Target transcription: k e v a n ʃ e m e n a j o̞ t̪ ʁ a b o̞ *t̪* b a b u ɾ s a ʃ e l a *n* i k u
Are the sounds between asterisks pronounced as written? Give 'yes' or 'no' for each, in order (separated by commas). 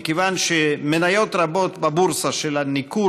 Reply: yes, yes